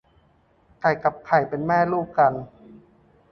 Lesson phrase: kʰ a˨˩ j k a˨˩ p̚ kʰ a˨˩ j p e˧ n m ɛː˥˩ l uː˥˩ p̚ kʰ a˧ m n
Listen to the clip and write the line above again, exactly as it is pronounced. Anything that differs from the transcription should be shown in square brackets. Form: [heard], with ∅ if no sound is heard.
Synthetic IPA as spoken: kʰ a˨˩ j k a˨˩ p̚ kʰ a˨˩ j p e˧ n m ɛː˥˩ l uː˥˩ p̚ [k] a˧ [∅] n